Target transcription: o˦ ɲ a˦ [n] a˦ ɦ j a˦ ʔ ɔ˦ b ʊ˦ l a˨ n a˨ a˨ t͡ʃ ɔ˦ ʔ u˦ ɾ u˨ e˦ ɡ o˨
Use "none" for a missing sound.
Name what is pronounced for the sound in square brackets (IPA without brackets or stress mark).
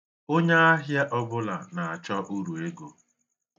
none